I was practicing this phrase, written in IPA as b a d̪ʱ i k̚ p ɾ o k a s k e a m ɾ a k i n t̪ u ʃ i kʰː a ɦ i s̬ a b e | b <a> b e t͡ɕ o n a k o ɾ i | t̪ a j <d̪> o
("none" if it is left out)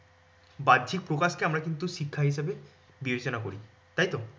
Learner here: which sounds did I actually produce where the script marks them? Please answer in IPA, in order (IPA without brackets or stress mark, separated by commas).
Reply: i, t̪